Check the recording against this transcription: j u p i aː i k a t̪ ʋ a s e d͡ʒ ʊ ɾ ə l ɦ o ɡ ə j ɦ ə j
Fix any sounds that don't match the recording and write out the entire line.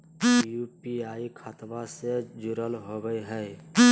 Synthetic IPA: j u p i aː i kʰ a t̪ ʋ a s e d͡ʒ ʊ ɾ ə l ɦ o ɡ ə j ɦ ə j